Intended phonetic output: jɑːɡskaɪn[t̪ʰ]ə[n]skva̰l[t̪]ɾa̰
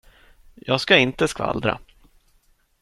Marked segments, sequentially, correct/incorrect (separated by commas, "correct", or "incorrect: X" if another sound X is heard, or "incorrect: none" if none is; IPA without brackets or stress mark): incorrect: t̪, incorrect: none, incorrect: d̪